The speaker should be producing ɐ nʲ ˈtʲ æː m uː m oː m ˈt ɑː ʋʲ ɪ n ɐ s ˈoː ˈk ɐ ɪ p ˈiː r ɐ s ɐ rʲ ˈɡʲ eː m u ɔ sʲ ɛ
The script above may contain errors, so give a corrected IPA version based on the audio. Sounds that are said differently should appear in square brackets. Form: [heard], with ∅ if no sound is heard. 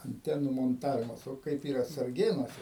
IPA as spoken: ɐ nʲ ˈtʲ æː [n] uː m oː [n] ˈt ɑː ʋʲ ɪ [m] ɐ s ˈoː ˈk ɐ ɪ p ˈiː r ɐ s ɐ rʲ ˈɡʲ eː [n] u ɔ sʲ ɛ